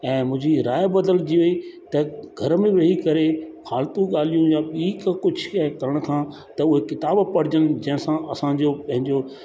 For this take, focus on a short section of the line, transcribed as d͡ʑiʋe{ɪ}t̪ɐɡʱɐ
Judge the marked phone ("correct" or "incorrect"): incorrect